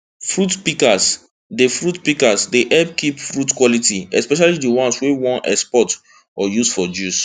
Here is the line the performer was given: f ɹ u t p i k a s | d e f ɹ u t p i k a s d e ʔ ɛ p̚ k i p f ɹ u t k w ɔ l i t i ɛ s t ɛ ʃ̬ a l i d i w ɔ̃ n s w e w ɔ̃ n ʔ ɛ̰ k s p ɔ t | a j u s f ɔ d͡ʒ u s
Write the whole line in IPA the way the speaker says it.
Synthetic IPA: f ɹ u t p i k a s | d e f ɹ u t p i k a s d e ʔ ɛ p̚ k i p f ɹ u t k w ɔ l i t i ɛ s p ɛ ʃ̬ a l i d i w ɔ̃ n s w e w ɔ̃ n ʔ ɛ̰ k s p ɔ t | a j u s f ɔ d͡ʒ u s